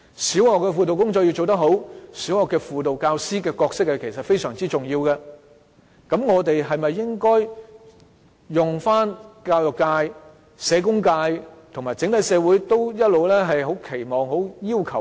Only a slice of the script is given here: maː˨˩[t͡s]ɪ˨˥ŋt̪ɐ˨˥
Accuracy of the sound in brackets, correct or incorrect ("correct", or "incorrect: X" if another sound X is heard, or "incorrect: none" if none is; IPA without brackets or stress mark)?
correct